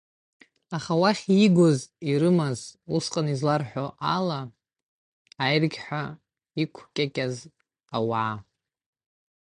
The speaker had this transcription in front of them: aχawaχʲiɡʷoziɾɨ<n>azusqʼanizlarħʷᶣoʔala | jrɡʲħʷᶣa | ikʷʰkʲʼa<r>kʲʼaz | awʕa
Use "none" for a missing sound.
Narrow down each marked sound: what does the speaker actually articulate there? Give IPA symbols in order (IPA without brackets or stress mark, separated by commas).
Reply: m, none